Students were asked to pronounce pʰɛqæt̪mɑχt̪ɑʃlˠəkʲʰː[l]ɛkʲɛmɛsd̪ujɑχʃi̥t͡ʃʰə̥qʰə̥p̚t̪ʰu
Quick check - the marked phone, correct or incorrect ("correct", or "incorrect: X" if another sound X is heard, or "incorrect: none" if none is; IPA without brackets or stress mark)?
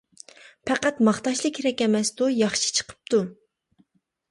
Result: incorrect: ɾ